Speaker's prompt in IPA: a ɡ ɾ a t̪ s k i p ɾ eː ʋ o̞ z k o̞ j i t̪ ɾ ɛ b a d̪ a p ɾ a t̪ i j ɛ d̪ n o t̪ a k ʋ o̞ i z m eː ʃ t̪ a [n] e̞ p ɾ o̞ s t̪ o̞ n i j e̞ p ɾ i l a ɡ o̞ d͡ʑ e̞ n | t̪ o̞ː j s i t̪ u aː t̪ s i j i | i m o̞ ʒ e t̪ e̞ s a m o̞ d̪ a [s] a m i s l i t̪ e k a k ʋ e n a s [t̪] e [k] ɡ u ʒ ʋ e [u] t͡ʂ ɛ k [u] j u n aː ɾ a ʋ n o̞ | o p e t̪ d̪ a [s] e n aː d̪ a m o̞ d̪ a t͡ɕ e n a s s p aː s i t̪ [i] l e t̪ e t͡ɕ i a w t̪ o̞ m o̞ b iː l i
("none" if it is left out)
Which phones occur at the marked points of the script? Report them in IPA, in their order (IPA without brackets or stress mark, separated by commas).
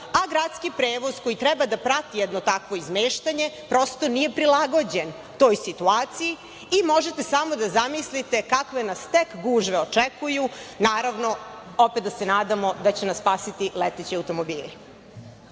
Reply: ɲ, z, t̪, k, o, u, s, i